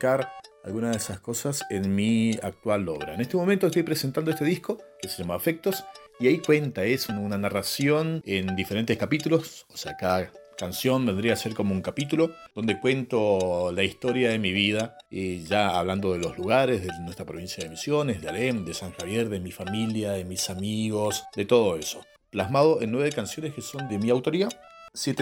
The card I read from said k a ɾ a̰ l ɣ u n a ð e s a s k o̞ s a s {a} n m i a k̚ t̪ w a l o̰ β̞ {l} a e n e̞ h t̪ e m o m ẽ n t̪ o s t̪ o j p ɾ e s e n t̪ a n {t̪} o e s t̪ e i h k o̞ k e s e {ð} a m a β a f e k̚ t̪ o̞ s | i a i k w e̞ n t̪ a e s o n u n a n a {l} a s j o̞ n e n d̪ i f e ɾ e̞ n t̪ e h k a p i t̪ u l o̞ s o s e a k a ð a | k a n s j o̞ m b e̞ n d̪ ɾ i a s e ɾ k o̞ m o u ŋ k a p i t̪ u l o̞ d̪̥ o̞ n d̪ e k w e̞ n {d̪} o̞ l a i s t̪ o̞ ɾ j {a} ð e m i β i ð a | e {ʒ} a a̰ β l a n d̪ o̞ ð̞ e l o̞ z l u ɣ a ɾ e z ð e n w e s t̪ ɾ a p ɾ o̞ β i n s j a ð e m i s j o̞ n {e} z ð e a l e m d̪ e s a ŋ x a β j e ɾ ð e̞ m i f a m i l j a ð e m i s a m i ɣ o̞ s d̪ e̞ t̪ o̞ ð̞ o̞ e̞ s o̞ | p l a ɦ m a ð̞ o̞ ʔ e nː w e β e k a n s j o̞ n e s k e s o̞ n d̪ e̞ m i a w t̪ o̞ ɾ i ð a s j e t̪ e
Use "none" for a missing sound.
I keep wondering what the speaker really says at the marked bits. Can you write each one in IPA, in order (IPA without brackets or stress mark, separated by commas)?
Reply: e, ɾ, d̪, ʒ, r, t̪, a, ʒ, e